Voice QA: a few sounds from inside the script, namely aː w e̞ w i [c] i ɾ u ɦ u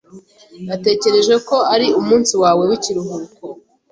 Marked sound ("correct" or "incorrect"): correct